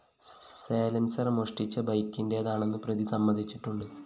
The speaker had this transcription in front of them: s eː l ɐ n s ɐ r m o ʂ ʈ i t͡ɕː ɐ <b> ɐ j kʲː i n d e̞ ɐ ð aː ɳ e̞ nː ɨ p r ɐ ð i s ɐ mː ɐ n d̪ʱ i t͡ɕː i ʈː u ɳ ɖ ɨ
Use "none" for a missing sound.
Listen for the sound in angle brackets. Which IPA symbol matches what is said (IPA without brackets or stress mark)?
b